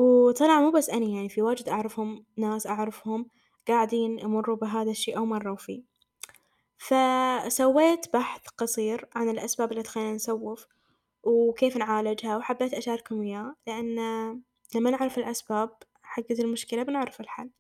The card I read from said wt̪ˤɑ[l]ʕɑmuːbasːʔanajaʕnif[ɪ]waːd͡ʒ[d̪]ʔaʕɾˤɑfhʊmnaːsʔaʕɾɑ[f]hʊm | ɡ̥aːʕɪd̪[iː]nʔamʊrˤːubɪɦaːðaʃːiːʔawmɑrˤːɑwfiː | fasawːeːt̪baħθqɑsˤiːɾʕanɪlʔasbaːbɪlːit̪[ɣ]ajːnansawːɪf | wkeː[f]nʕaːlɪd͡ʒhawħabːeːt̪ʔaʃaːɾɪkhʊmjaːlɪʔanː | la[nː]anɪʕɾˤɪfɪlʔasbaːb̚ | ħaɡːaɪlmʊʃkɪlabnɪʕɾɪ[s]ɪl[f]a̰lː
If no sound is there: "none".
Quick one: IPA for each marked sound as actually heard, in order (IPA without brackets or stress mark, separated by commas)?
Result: l, i, d̪, f, iː, x, f, mː, f, ħ